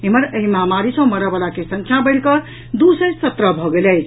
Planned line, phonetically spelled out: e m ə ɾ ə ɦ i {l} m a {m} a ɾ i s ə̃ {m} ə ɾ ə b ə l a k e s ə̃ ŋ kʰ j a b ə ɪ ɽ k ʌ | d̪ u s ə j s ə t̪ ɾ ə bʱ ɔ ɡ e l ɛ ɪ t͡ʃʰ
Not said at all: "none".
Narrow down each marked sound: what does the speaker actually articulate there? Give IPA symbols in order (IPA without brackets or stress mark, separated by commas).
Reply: none, m, m